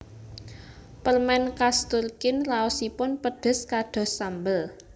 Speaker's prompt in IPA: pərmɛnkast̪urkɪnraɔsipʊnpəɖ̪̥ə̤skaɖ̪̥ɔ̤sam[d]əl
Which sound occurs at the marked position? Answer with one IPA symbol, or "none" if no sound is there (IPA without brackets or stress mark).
b